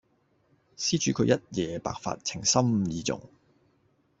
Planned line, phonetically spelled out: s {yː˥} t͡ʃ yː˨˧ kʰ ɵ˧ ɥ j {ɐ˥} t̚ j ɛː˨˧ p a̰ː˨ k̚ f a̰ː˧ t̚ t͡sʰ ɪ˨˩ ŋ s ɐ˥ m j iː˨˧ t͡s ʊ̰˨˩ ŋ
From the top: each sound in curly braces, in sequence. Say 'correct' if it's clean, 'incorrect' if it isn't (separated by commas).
incorrect, correct